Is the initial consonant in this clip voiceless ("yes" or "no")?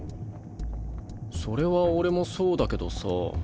yes